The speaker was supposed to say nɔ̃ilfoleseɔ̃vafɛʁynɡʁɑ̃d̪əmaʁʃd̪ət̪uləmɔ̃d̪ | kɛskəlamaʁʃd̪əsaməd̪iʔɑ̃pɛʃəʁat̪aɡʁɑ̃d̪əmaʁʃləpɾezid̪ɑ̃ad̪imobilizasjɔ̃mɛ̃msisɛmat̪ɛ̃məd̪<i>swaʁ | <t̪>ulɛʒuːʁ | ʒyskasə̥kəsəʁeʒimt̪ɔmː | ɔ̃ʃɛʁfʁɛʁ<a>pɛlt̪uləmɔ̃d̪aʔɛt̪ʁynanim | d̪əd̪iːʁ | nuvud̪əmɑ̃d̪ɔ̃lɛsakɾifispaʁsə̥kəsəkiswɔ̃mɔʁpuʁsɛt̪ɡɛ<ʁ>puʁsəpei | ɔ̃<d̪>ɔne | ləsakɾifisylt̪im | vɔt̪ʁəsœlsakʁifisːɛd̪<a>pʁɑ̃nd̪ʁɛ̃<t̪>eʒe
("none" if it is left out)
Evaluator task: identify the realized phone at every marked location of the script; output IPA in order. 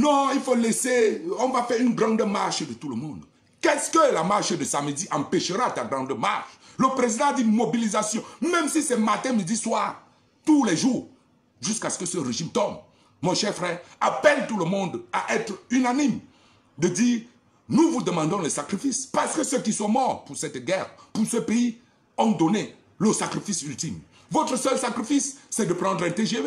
i, t̪, a, ʁ, d̪, ə, t̪

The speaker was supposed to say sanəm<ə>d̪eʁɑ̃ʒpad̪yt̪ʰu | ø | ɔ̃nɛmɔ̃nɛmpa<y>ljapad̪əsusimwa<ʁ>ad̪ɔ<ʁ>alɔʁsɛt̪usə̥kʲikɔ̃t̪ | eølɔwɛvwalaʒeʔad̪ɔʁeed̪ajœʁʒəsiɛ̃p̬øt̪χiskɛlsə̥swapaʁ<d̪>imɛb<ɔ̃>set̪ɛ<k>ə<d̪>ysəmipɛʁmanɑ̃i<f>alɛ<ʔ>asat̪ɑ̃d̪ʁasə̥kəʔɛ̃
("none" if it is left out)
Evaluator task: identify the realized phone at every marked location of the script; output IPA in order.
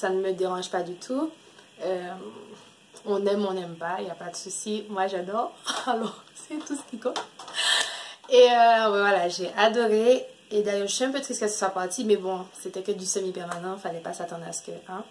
ə, i, ʒ, ʁ, t̪, ɔ̃, k, d̪, f, p

